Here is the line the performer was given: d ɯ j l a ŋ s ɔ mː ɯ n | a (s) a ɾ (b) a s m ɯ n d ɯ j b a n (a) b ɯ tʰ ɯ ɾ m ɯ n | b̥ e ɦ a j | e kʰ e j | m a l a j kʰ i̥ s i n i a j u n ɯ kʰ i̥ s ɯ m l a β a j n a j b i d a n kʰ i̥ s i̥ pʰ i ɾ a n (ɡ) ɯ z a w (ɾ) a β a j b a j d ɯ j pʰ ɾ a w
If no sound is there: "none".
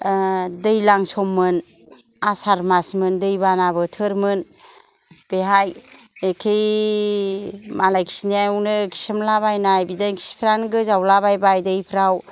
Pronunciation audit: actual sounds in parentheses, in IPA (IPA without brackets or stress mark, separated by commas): s, m, a, ɡ, l